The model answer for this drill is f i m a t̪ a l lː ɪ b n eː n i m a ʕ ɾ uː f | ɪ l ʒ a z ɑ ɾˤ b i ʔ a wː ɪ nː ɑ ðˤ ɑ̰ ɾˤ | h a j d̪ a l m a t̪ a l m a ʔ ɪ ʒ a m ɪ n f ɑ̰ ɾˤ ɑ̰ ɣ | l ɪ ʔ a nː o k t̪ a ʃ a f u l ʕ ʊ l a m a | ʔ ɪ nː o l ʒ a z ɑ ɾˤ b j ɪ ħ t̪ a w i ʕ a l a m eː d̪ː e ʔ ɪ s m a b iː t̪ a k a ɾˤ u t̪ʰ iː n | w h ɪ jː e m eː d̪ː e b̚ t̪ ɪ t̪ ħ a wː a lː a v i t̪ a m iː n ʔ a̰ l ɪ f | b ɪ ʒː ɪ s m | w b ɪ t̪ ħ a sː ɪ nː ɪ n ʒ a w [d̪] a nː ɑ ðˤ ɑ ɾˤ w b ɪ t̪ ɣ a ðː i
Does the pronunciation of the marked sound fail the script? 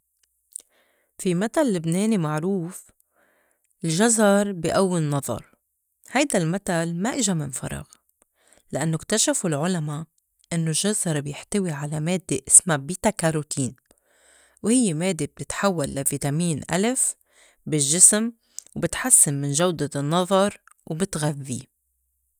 no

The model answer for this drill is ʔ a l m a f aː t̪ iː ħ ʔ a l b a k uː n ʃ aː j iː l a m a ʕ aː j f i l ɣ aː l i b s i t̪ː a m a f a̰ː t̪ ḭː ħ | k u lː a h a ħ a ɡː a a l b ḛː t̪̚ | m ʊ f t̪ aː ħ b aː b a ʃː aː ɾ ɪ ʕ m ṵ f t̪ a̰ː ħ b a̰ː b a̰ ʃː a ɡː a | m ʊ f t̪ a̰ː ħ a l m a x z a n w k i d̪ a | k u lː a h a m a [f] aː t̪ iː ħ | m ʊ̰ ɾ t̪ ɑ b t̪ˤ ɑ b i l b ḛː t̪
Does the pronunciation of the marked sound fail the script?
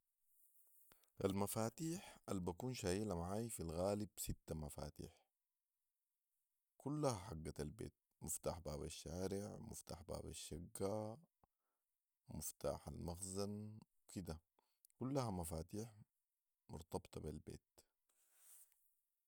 no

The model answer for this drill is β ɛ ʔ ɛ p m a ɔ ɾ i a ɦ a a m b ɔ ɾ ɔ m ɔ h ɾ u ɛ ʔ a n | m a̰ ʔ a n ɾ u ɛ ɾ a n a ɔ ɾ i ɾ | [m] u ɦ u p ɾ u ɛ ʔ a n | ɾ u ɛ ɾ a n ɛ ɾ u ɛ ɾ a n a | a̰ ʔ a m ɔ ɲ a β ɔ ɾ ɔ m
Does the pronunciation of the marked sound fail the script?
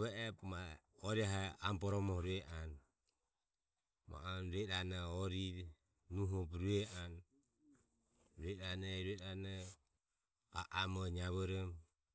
yes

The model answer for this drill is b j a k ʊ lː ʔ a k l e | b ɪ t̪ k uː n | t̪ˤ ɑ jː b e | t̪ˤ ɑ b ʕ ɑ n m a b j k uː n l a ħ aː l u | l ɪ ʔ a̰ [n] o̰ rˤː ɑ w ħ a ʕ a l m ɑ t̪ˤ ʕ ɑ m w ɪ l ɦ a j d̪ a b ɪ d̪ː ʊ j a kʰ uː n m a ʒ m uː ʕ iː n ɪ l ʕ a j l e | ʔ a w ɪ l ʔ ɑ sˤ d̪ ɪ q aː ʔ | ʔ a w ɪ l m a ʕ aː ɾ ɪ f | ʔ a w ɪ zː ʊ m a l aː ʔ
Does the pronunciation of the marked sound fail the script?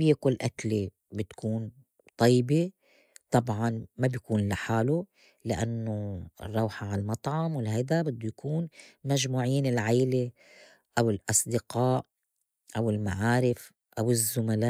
yes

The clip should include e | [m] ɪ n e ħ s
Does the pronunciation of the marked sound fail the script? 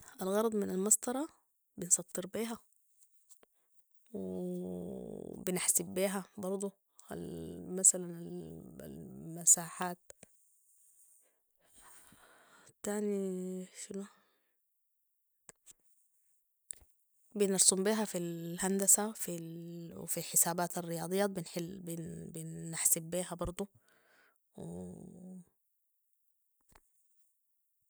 yes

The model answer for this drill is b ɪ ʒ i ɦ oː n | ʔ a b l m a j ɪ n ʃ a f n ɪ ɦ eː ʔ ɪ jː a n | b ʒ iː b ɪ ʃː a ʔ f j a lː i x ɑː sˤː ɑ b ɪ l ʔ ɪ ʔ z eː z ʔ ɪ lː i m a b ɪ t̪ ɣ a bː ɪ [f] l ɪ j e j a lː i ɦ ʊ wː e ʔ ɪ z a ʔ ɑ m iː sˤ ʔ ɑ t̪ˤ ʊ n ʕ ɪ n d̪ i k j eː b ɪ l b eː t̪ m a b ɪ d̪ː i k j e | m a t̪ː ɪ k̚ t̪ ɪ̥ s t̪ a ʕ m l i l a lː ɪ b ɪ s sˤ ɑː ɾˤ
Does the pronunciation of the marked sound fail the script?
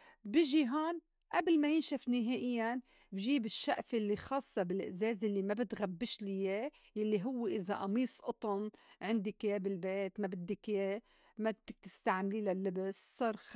yes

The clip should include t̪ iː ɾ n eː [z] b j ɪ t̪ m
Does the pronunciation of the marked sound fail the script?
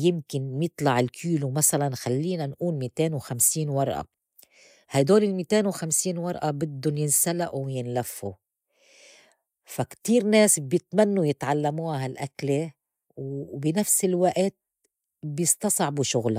yes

